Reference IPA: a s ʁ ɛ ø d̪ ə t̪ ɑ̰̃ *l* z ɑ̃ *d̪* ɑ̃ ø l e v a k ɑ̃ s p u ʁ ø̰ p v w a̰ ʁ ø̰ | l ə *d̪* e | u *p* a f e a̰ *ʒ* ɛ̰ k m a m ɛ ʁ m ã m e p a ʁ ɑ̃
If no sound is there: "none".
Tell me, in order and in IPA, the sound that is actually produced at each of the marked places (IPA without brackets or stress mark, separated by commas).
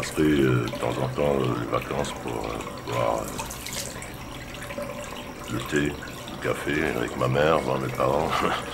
none, t̪, t̪, k, v